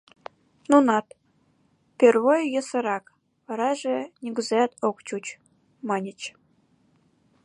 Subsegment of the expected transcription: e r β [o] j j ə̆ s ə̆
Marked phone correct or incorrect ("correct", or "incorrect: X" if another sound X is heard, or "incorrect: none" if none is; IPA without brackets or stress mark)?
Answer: correct